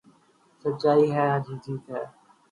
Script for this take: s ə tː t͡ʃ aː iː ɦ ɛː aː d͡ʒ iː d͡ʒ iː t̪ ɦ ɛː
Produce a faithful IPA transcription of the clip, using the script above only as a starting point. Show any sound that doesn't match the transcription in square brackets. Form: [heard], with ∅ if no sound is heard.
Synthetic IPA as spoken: s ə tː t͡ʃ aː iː ɦ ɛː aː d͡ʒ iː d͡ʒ iː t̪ ɦ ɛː